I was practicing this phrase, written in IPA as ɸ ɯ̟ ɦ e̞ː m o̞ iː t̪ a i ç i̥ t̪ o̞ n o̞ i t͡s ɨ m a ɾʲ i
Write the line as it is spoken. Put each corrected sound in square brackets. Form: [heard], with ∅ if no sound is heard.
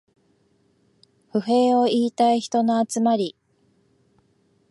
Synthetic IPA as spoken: ɸ ɯ̟ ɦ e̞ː [∅] o̞ iː t̪ a i ç i̥ t̪ o̞ n o̞ [a] t͡s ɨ m a ɾʲ i